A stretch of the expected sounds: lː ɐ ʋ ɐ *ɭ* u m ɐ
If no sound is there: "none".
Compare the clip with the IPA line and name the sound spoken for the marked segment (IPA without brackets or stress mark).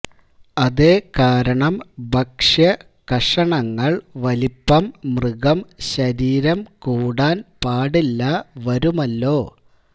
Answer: ɾ